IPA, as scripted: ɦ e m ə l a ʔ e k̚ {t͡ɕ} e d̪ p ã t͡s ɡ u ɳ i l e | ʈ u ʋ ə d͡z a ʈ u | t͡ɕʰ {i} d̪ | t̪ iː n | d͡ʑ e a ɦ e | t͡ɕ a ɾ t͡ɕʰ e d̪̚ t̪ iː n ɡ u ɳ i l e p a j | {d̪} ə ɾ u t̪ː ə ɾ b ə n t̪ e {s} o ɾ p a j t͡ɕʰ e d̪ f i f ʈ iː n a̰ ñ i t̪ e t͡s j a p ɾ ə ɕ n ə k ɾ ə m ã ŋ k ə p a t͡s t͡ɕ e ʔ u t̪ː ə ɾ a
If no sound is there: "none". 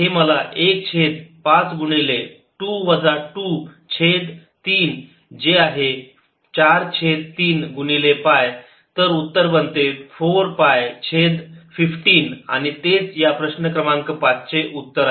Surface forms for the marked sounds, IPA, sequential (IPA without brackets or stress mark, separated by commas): t͡ɕʰ, e, t̪, f